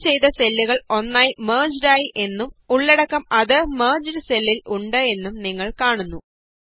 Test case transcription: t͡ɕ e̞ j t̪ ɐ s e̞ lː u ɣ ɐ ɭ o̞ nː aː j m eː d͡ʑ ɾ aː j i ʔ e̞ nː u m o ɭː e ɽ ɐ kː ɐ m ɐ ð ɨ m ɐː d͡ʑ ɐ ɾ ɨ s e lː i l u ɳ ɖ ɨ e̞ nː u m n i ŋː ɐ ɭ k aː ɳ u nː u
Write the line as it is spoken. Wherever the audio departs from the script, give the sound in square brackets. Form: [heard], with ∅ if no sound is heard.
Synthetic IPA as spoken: t͡ɕ e̞ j t̪ ɐ s e̞ lː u ɣ ɐ ɭ o̞ nː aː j m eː d͡ʑ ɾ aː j i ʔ e̞ nː u m [u] ɭː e ɽ ɐ kː ɐ m ɐ ð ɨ m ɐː d͡ʑ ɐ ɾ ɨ s e lː i l u ɳ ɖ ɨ e̞ nː u m n i ŋː ɐ ɭ k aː ɳ u nː u